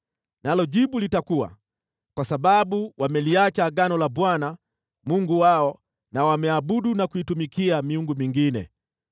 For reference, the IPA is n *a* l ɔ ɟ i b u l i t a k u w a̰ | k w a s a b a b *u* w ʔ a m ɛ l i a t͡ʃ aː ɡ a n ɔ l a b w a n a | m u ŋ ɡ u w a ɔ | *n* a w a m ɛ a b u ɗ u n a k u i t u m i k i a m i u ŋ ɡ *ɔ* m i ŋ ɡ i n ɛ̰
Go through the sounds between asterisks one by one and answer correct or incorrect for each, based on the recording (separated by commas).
correct, correct, correct, incorrect